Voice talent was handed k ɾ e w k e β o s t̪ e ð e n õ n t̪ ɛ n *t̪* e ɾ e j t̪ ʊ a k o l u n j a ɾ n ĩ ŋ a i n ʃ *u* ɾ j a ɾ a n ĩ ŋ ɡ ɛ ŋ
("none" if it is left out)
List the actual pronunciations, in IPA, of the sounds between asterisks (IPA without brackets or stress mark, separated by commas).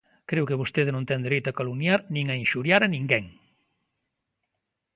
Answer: d̪, u